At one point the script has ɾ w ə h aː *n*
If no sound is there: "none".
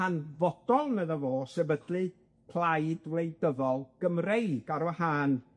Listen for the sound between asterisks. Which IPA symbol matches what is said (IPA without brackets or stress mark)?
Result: n